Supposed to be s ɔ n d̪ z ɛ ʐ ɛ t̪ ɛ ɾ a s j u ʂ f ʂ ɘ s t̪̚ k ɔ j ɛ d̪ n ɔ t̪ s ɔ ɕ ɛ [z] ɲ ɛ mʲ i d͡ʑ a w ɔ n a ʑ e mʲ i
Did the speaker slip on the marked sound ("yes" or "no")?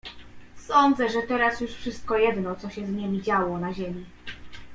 no